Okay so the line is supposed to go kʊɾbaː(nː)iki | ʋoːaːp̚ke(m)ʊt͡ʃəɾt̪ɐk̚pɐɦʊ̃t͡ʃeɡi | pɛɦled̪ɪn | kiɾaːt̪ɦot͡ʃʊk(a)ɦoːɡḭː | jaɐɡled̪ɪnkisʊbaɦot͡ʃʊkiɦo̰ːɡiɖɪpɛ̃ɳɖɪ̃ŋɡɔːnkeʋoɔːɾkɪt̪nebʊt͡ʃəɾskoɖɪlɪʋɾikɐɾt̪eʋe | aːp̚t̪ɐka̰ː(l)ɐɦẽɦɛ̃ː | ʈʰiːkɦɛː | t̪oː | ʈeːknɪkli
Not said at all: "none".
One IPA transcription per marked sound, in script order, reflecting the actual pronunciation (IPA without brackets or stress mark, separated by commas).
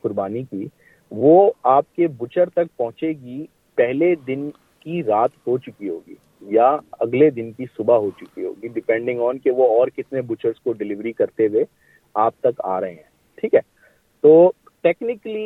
n, b, i, ɾ